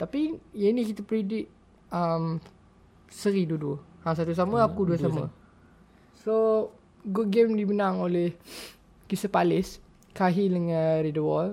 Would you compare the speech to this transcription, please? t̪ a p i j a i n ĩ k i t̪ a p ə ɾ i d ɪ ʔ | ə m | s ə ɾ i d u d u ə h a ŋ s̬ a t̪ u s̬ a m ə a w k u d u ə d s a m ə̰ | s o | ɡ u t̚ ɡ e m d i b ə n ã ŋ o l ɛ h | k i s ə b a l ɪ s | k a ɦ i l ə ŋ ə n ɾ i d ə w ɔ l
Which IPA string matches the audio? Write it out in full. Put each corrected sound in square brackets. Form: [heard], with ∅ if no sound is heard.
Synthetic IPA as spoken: t̪ a p i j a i n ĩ k i t̪ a p ə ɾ i d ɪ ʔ | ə m | s ə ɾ i d u d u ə h a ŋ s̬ a t̪ u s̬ a m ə a [∅] k u d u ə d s a m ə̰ | s o | ɡ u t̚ ɡ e m d i b ə n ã ŋ o l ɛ h | k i s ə [p] a l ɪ s | k a ɦ i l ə ŋ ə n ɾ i d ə w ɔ l